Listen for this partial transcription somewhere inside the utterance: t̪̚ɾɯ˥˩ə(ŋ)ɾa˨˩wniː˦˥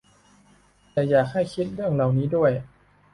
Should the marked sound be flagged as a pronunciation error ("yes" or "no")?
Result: no